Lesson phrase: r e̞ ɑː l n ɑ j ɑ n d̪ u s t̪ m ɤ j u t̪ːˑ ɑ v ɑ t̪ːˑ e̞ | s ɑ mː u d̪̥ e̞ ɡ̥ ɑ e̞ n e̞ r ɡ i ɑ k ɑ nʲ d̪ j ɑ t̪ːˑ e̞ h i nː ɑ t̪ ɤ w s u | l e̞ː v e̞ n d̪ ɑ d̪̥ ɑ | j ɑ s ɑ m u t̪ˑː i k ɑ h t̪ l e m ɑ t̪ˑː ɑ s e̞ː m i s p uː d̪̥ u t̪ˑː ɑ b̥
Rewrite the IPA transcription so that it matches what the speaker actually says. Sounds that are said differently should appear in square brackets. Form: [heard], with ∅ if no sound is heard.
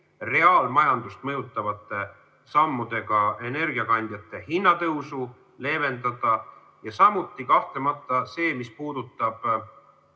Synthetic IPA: r e̞ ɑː l [m] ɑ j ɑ n d̪ u s t̪ m ɤ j u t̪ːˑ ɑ v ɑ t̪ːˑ e̞ | s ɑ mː u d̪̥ e̞ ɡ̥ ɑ e̞ n e̞ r ɡ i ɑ k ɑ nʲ d̪ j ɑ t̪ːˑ e̞ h i nː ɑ t̪ ɤ w s u | l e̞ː v e̞ n d̪ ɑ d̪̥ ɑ | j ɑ s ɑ m u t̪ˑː i k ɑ h t̪ l e m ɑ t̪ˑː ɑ s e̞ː m i s p uː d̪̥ u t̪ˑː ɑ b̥